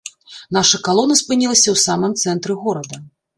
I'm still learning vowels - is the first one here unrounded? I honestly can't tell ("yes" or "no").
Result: yes